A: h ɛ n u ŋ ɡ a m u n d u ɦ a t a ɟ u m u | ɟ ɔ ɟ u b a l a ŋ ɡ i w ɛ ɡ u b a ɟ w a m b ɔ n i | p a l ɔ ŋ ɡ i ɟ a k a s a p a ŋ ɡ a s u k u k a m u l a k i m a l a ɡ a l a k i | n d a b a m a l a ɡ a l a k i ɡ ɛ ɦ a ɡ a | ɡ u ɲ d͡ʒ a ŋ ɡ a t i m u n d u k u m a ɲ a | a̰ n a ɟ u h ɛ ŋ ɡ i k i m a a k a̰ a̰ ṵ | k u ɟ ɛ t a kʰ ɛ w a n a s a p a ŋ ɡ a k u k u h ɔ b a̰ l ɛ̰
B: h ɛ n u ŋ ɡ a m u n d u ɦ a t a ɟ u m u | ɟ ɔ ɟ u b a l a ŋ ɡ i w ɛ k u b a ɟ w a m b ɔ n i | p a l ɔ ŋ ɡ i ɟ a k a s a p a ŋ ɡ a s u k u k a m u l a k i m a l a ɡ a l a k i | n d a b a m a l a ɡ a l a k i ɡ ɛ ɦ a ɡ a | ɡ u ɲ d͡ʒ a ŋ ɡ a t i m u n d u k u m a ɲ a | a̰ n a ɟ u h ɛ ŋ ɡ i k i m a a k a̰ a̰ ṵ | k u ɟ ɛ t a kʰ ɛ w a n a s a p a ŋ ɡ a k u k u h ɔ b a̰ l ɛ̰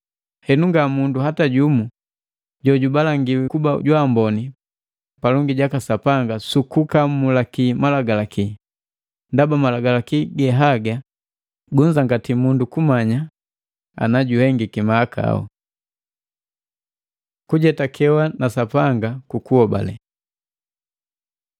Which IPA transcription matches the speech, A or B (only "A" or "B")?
B